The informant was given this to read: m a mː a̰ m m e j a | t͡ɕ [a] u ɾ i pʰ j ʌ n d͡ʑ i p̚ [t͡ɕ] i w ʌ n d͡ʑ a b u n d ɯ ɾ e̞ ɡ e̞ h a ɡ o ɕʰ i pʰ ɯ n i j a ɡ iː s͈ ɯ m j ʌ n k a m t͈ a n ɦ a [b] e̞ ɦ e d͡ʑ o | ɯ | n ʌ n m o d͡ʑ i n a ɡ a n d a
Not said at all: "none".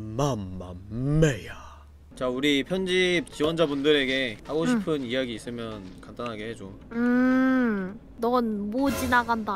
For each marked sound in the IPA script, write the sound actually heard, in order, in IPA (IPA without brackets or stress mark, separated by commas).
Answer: a, t͡ɕ, ɡ